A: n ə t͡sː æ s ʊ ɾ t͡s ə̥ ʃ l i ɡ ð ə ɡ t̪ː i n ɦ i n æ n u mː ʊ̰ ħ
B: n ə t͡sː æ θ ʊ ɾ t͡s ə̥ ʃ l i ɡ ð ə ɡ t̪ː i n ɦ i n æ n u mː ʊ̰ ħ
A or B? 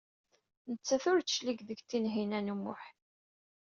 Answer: B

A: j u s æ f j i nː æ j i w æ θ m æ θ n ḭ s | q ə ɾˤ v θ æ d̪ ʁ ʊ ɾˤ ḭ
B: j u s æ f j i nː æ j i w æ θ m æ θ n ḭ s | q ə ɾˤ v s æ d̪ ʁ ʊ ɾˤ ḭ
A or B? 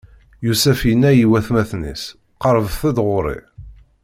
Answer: A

